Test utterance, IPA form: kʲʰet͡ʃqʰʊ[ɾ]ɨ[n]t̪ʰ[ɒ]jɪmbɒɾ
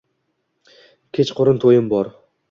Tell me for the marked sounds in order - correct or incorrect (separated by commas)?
correct, correct, incorrect